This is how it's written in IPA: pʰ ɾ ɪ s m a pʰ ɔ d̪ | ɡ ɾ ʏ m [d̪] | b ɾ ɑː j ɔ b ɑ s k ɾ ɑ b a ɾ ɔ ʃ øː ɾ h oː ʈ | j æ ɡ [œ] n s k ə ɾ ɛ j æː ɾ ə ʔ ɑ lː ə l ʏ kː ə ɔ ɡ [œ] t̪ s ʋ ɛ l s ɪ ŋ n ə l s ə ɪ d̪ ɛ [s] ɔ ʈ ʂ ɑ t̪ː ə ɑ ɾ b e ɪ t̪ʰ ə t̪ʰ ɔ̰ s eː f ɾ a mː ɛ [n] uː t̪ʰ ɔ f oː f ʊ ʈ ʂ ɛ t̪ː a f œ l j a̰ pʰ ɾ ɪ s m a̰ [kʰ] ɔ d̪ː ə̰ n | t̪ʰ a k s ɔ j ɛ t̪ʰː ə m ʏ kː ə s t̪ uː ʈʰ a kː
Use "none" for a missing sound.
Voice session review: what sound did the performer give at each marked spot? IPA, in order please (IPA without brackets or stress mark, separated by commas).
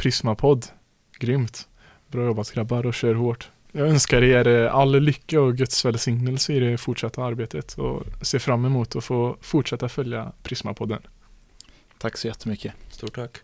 t̪, œ, œ, f, m, pʰ